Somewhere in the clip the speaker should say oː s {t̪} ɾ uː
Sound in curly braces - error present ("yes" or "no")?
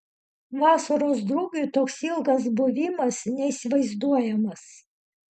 yes